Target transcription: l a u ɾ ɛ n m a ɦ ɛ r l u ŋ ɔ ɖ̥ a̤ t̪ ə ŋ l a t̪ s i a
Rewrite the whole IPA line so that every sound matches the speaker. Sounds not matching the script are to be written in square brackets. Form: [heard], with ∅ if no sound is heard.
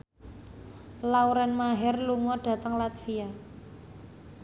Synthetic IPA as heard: l a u ɾ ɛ n m a ɦ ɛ r l u ŋ ɔ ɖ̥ a̤ t̪ ə ŋ l a t̪ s i a